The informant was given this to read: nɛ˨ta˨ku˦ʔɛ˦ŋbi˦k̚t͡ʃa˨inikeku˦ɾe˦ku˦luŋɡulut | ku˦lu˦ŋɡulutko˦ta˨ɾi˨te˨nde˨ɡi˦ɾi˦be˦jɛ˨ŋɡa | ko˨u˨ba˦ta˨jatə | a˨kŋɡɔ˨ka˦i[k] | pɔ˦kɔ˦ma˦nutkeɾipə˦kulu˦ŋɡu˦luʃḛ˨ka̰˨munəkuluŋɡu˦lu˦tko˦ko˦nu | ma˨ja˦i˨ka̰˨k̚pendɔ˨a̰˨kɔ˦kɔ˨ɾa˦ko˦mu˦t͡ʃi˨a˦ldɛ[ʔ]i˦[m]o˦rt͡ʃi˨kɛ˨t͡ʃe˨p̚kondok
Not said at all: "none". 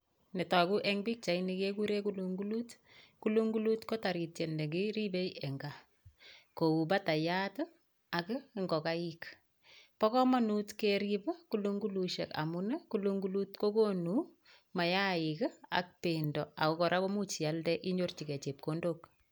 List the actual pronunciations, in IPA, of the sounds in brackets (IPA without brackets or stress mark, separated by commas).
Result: k, ʔ, ɲ